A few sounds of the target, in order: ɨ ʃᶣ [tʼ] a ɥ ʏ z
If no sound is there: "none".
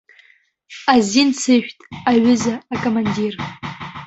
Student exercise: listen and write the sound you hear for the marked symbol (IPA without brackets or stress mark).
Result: tʼ